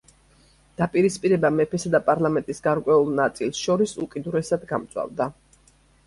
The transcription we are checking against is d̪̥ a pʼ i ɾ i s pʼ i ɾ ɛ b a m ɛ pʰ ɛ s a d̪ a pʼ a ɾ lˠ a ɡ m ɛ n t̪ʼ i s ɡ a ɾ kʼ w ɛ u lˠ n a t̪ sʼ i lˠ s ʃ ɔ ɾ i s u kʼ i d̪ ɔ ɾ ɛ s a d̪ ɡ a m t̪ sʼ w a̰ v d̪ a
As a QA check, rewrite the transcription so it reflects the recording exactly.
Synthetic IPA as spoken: d̪̥ a pʼ i ɾ i s pʼ i ɾ ɛ b a m ɛ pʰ ɛ s a d̪ a pʼ a ɾ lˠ a m ɛ n t̪ʼ i s ɡ a ɾ kʼ w ɛ u lˠ n a t̪ sʼ i lˠ s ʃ ɔ ɾ i s u kʼ i d̪ u ɾ ɛ s a d̪ ɡ a m t̪ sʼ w a̰ v d̪ a